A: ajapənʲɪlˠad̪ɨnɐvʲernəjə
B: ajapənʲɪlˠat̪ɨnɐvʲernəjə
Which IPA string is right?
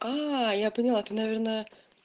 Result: B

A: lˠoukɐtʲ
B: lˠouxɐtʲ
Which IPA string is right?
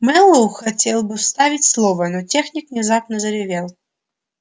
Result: B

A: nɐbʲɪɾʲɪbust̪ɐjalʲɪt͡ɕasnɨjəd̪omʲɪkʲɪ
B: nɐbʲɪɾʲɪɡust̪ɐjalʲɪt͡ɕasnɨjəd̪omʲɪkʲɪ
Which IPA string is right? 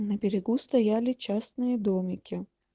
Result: B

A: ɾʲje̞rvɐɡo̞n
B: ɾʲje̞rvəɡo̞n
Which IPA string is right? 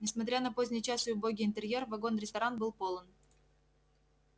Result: A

